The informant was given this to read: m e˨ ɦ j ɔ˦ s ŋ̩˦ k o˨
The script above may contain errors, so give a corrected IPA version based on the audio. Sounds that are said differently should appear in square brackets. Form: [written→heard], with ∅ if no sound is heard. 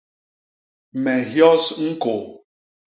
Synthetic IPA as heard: m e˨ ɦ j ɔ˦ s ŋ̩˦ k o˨